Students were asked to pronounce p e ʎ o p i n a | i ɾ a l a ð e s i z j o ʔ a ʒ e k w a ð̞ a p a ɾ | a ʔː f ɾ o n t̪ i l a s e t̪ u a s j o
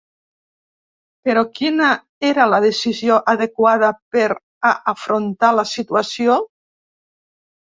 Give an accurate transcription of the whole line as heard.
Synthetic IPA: p e ɾ o k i n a | e ɾ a l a ð e s i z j o ʔ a ð e k w a ð̞ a p e ɾ | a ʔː f ɾ o n t̪ a l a s i t̪ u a s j o